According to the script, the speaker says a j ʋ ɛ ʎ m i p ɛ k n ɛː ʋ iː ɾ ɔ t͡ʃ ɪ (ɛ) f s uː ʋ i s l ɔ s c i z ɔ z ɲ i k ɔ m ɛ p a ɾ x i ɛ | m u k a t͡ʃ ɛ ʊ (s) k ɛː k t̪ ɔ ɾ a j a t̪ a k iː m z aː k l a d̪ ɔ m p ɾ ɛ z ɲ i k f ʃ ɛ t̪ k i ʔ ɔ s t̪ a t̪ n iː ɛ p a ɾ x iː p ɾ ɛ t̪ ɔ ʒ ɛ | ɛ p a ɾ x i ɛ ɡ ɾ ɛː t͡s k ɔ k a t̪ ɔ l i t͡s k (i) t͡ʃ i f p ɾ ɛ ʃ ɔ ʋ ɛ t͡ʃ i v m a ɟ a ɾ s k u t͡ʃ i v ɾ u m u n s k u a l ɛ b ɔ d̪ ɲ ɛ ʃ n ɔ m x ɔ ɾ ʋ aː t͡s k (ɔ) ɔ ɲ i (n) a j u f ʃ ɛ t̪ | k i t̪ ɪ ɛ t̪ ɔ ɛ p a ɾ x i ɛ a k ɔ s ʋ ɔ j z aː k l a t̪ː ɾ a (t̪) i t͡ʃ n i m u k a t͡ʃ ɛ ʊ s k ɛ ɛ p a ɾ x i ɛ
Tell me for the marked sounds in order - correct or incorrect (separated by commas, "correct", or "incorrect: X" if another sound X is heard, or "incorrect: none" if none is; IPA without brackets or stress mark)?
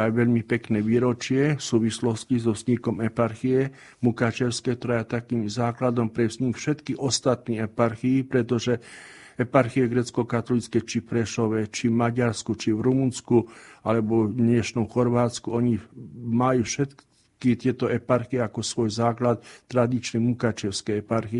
correct, correct, incorrect: ɛ, incorrect: u, incorrect: m, incorrect: d̪